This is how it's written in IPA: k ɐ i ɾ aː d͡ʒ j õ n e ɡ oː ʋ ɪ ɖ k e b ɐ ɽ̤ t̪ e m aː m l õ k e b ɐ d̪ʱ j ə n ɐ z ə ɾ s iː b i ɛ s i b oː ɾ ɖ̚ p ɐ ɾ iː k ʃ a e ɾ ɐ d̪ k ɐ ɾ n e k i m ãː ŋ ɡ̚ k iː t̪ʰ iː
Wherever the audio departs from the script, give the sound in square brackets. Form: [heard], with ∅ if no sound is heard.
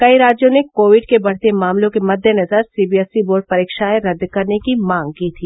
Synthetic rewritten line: k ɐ i ɾ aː d͡ʒ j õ n e [k] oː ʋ ɪ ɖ k e b ɐ ɽ̤ t̪ e m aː m l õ k e [m] ɐ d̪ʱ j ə n ɐ z ə ɾ s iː b i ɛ s i b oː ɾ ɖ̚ p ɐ ɾ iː k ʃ a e ɾ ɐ d̪ k ɐ ɾ n e k i m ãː ŋ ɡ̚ k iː t̪ʰ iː